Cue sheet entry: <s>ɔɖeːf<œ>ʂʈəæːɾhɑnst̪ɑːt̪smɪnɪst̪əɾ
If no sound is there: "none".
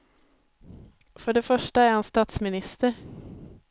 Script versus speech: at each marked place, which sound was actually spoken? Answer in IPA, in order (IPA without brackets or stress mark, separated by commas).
f, œ